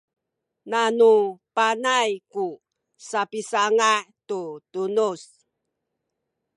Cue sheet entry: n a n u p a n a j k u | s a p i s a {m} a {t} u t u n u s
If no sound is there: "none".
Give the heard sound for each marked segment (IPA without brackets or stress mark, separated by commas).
ŋ, t